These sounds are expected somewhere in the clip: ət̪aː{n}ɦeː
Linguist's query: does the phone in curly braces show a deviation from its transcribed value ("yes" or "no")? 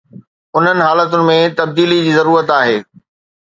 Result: yes